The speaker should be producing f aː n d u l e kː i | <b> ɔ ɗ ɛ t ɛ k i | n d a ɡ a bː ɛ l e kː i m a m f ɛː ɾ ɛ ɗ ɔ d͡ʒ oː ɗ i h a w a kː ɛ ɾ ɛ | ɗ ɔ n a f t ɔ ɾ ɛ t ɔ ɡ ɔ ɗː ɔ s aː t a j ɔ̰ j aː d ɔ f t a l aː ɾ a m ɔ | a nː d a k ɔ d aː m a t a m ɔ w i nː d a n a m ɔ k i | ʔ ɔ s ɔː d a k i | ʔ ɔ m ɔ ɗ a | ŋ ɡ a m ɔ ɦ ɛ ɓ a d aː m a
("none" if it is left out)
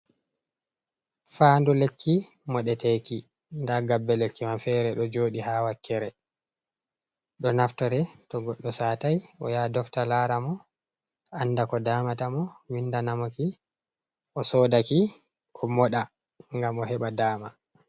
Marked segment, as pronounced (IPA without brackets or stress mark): m